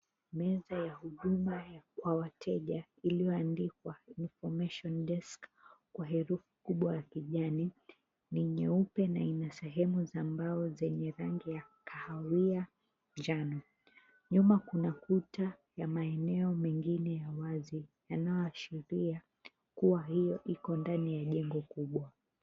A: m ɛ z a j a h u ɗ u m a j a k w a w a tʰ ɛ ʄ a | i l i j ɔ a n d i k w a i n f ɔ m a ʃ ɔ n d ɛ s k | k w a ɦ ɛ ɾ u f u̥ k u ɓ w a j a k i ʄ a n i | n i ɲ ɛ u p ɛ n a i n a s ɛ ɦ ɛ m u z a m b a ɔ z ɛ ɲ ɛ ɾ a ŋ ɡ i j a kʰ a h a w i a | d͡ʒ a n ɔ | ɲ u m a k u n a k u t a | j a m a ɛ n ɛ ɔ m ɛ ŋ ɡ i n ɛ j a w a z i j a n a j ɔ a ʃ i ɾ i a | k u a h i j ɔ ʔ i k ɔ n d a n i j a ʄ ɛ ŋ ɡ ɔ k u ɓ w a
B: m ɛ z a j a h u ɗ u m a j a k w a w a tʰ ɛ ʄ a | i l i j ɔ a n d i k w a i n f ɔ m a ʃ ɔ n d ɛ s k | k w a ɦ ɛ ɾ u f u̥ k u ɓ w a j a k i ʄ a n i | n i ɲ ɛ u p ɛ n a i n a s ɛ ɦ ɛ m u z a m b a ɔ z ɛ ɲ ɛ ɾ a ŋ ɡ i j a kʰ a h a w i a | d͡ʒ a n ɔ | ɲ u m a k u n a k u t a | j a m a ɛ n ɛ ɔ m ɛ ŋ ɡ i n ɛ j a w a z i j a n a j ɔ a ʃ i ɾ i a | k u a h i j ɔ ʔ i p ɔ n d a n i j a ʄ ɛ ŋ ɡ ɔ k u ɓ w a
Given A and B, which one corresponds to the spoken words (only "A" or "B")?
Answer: A